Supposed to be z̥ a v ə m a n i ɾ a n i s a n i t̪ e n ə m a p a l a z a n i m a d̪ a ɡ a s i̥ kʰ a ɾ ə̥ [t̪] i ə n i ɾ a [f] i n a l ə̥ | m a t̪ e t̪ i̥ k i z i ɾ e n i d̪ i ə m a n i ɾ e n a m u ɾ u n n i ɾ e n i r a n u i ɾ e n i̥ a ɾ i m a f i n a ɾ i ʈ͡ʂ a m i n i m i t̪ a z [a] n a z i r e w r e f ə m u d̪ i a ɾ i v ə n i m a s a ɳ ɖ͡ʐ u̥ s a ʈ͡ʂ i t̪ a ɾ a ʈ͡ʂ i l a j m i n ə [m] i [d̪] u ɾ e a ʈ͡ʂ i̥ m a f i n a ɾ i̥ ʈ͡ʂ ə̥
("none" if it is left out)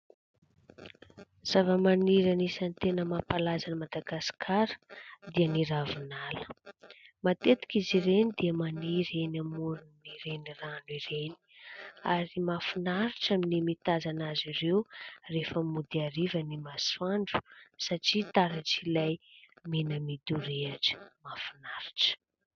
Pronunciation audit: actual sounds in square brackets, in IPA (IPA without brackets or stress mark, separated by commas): d̪, v, a, m, d̪